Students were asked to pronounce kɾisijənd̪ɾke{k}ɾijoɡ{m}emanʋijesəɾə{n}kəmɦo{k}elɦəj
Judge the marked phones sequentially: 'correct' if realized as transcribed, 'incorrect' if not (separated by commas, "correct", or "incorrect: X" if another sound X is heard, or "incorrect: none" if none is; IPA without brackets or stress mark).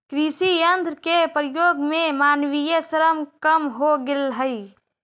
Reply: incorrect: p, correct, incorrect: m, incorrect: ɡ